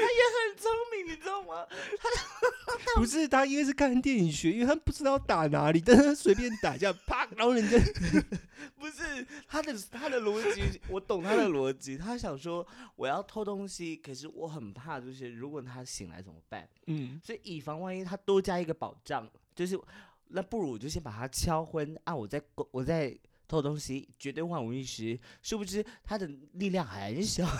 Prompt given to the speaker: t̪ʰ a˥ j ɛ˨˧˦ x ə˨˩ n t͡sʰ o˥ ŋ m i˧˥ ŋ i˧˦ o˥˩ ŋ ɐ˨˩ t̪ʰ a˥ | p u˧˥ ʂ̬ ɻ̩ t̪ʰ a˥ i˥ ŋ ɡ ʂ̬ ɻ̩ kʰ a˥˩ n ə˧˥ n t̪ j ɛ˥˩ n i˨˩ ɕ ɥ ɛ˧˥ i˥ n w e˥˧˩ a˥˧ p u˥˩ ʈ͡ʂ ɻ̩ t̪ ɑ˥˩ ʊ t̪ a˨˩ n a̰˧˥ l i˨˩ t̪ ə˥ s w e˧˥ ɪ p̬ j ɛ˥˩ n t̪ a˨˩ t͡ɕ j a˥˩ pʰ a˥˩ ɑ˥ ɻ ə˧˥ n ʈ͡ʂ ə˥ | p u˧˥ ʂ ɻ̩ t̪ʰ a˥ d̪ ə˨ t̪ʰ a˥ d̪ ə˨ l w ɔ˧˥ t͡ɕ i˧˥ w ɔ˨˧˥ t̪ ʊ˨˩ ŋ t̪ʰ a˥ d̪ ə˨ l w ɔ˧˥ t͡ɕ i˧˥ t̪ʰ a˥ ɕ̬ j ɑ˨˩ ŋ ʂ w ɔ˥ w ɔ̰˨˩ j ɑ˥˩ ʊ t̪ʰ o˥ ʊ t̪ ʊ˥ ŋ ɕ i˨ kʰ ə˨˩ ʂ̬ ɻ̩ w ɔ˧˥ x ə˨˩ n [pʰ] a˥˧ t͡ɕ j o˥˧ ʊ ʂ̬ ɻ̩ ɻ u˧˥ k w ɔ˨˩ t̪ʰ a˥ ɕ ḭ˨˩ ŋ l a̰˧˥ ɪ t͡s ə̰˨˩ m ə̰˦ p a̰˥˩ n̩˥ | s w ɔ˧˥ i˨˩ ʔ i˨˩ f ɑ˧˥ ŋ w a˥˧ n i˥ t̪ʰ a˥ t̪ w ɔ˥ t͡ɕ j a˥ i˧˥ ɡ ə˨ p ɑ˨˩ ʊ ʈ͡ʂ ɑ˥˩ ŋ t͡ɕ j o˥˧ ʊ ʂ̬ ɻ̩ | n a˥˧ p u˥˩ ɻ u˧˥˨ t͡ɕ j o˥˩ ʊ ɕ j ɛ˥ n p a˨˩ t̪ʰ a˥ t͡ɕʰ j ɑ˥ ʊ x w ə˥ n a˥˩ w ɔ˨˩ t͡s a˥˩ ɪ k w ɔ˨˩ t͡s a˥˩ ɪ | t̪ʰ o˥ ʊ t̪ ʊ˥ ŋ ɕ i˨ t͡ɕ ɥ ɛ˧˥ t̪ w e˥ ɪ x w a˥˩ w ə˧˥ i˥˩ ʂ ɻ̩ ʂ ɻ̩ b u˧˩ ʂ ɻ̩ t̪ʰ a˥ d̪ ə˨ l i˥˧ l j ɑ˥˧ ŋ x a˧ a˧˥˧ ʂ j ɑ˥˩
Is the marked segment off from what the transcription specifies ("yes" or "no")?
no